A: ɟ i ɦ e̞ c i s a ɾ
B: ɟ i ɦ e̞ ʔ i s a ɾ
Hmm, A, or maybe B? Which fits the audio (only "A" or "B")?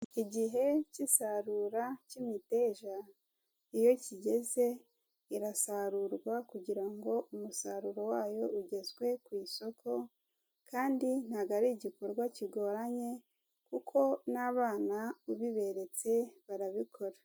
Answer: A